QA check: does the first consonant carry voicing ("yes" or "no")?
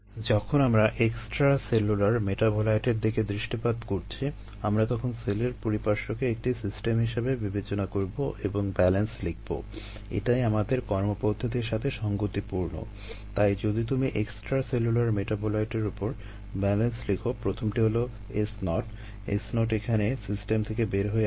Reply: yes